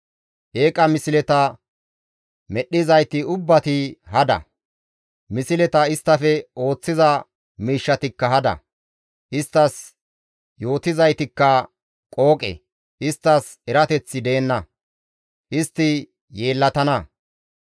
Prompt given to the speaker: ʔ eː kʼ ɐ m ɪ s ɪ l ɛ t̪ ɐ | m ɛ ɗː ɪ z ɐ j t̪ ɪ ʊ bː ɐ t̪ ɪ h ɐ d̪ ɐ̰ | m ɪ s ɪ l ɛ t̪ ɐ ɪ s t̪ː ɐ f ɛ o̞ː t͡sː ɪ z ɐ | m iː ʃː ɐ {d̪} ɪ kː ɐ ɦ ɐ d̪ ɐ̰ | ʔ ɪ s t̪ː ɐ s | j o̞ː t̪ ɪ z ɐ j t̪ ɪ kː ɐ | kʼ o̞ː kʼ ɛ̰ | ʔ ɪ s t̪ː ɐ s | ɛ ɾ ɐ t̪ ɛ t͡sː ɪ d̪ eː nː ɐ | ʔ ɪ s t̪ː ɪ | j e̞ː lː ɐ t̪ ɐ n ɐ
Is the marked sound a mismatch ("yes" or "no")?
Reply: yes